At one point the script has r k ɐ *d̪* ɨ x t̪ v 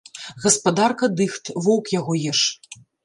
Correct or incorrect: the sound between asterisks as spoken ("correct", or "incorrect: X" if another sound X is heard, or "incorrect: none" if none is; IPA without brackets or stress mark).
correct